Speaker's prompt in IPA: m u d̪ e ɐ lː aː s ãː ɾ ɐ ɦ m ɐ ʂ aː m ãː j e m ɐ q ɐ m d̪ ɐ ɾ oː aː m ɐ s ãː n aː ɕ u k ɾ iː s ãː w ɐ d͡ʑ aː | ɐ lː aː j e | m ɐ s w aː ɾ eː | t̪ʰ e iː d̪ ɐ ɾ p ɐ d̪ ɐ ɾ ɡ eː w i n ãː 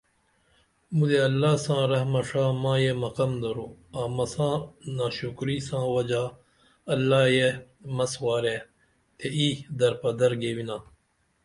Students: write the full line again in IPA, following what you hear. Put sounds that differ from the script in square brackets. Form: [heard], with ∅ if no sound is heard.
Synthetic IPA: m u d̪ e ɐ lː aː s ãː ɾ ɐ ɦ m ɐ ʂ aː m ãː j e m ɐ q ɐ m d̪ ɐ ɾ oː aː m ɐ s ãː n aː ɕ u k ɾ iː s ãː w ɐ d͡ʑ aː | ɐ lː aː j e | m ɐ s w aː ɾ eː | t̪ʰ e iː d̪ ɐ ɾ p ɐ d̪ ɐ ɾ ɡ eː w i n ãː

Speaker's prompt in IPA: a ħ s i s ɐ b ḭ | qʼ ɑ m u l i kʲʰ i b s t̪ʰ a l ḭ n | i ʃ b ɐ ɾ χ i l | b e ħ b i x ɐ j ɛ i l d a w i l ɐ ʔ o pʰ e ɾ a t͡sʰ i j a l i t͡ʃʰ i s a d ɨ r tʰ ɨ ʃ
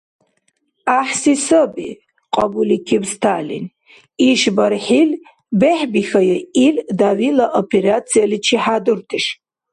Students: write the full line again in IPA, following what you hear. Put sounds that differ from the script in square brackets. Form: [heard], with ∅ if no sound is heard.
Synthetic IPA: a ħ s i s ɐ b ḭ | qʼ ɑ [b] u l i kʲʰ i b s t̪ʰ a l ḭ n | i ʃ b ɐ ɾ [ħ] i l | b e ħ b i x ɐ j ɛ i l d a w i l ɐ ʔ o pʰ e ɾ a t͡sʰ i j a l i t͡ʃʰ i [ħ] a d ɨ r tʰ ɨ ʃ

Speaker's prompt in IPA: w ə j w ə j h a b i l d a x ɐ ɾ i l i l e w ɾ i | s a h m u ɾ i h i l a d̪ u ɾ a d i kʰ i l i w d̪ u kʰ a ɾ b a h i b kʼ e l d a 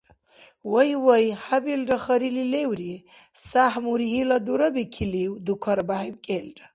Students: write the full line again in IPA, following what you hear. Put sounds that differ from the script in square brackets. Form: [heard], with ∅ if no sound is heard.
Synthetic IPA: w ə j w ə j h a b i l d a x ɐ ɾ i l i l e w ɾ i | s a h m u ɾ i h i l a d̪ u ɾ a [b] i kʰ i l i w d̪ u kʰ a ɾ b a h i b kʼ e l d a

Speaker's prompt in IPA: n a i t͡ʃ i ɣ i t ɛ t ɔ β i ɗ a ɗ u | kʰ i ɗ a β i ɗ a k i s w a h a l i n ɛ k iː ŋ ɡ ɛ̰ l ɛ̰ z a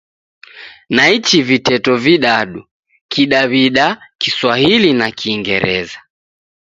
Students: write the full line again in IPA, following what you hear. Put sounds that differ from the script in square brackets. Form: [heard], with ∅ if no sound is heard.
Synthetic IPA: n a i t͡ʃ i [v] i t ɛ t ɔ [v] i ɗ a ɗ u | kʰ i ɗ a β i ɗ a k i s w a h [i] l i n [a] k iː ŋ ɡ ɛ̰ [ɾ] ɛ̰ z a

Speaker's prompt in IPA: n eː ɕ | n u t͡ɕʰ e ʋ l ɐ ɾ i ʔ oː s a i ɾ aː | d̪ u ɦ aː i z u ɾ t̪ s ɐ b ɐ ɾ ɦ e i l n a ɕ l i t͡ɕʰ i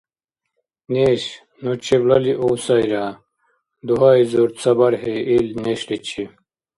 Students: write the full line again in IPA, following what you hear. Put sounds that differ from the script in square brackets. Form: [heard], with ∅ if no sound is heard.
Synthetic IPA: n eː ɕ | n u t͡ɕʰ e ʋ l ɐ [l] i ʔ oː s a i ɾ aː | d̪ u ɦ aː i z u ɾ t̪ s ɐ b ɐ ɾ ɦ e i l n [e] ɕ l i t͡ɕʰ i

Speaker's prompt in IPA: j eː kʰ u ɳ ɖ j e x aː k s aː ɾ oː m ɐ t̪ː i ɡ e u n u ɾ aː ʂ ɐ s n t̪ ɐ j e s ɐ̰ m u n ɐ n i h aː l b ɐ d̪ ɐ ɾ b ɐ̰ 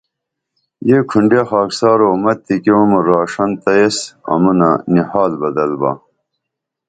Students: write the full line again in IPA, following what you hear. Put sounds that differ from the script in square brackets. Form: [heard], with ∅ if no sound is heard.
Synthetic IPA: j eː kʰ u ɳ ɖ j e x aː k s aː ɾ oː m ɐ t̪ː i [k] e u [m] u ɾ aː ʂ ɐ [∅] n t̪ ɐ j e s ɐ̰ m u n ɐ n i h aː l b ɐ d̪ ɐ [l] b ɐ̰

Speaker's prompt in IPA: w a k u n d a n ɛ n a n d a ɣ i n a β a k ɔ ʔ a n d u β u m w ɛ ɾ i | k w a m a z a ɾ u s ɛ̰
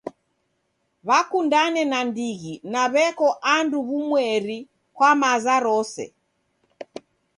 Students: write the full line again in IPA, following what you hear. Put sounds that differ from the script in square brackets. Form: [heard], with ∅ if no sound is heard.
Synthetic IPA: [β] a k u n d a n ɛ n a n d [i] ɣ i n a β [ɛ] k ɔ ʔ a n d u β u m w ɛ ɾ i | k w a m a z a ɾ [ɔ] s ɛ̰

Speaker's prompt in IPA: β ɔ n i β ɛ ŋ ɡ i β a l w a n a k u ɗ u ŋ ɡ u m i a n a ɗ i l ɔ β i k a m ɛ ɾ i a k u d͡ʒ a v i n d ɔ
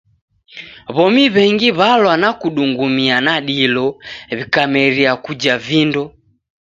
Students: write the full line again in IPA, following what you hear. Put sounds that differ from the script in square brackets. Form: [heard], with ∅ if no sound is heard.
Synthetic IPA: β ɔ [m] i β ɛ ŋ ɡ i β a l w a n a k u ɗ u ŋ ɡ u m i a n a ɗ i l ɔ β i k a m ɛ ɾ i a k u d͡ʒ a v i n d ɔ

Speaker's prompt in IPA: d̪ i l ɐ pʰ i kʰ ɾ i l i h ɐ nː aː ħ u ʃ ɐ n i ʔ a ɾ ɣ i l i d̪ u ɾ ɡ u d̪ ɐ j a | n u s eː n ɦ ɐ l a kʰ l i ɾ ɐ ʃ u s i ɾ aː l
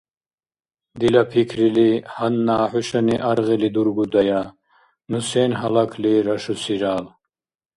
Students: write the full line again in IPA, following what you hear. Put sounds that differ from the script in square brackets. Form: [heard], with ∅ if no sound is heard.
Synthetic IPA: d̪ i l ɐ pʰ i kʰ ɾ i l i h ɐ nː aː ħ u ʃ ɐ n i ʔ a ɾ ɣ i l i d̪ u ɾ ɡ u d̪ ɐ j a | n u s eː n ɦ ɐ l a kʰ l i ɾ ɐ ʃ u s i ɾ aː l

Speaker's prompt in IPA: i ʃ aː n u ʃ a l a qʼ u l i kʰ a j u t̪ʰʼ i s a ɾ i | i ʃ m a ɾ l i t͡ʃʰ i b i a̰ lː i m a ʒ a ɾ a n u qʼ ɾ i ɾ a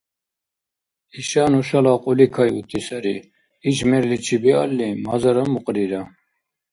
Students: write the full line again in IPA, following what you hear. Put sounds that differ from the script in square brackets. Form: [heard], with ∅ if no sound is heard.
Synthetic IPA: i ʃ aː n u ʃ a l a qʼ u l i kʰ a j u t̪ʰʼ i s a ɾ i | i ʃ m [ɛ] ɾ l i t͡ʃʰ i b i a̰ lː i m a [z] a ɾ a [m] u qʼ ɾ i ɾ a

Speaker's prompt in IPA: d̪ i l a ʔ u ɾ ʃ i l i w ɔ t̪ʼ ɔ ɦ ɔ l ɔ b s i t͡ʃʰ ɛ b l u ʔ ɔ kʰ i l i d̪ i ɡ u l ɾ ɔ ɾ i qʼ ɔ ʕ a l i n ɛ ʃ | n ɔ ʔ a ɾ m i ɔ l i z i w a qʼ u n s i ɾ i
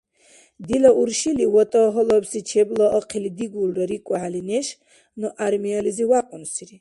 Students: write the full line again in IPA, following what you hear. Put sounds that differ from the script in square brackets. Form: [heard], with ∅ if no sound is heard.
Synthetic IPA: d̪ i l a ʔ u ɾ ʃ i l i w ɔ t̪ʼ ɔ ɦ ɔ l ɔ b s i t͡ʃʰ ɛ b l [ɔ] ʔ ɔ [qʰ] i l i d̪ i ɡ u l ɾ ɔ ɾ i [kʼ] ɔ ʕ a l i n ɛ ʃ | n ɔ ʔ a ɾ m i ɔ l i z i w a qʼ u n s i ɾ i

